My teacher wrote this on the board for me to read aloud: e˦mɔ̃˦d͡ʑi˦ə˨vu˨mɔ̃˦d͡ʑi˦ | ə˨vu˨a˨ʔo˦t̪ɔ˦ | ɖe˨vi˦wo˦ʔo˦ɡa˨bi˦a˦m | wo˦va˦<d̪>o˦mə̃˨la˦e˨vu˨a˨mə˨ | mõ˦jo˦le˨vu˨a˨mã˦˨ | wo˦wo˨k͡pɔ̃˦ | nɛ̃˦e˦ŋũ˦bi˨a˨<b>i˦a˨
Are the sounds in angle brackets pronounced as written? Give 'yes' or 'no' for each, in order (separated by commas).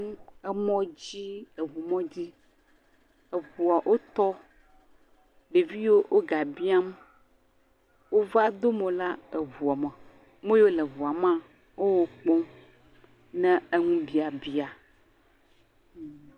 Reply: yes, yes